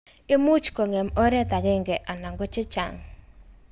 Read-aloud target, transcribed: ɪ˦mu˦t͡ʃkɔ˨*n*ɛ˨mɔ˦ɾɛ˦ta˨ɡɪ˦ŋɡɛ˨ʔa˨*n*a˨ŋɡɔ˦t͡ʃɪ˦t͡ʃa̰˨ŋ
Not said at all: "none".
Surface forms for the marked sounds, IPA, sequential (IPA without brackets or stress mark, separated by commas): ŋ, n